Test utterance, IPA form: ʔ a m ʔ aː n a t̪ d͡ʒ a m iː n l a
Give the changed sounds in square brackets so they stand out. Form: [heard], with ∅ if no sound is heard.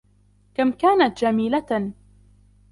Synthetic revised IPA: [k] a m [k] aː n a t̪ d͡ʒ a m iː [∅] l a